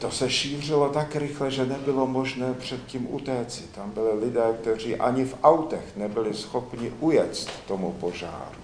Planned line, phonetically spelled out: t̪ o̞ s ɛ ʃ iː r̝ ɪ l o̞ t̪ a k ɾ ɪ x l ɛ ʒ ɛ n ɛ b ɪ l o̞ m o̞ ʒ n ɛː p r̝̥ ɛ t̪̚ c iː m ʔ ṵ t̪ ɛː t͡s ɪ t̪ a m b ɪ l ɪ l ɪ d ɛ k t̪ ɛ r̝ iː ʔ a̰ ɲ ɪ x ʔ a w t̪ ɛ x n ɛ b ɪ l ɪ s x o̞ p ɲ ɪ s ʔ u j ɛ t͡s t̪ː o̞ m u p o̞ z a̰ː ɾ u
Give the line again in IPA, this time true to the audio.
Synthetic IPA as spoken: t̪ o̞ s ɛ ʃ iː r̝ ɪ l o̞ t̪ a k ɾ ɪ x l ɛ ʒ ɛ n ɛ b ɪ l o̞ m o̞ ʒ n ɛː p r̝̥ ɛ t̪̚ c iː m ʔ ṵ t̪ ɛː t͡s ɪ t̪ a m b ɪ l ɪ l ɪ d ɛː k t̪ ɛ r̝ iː ʔ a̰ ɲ ɪ f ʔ a w t̪ ɛ x n ɛ b ɪ l ɪ s x o̞ p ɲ ɪ ʔ u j ɛ t͡s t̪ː o̞ m u p o̞ ʒ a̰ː ɾ u